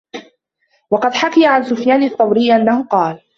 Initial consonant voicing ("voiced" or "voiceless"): voiced